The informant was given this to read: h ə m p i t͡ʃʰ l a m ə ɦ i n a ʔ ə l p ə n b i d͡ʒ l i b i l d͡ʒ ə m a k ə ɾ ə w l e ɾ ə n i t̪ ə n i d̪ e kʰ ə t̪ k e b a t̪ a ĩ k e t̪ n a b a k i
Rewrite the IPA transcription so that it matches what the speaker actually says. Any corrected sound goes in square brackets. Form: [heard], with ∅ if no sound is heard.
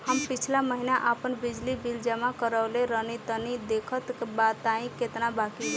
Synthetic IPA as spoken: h ə m p i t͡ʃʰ l a m ə ɦ i n a ʔ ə [∅] p ə n b i d͡ʒ l i b i l d͡ʒ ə m a k ə ɾ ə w l e ɾ ə n i t̪ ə n i d̪ e kʰ ə t̪ k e b a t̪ a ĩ k e t̪ n a b a k i